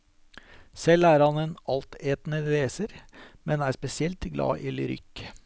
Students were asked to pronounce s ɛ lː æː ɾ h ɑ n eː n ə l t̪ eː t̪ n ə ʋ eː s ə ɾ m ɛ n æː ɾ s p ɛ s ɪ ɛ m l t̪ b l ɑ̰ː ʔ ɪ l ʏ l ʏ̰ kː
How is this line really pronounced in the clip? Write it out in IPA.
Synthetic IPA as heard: s ɛ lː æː ɾ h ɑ n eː n ɑ l t̪ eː t̪ n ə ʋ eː s ə ɾ m ɛ n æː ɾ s p ɛ s ɪ ɛ l t̪ ɡ l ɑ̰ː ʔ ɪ l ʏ ɾ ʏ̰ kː